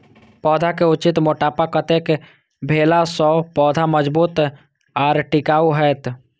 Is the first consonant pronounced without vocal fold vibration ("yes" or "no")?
yes